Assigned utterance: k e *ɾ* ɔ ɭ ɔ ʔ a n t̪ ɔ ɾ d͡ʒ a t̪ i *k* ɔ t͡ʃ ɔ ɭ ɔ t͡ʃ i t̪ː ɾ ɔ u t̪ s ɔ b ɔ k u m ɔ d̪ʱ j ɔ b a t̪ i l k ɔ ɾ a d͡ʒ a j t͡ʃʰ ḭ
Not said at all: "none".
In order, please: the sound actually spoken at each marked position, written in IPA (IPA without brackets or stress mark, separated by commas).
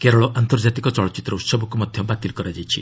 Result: ɾ, k